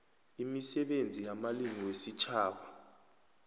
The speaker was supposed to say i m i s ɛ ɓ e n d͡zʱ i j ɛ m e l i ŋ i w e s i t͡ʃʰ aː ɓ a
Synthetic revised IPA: i m i s ɛ ɓ e n d͡zʱ i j a m a l i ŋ i w e s i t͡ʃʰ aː ɓ a